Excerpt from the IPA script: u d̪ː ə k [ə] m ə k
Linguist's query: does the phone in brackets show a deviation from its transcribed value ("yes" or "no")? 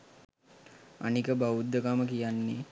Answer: yes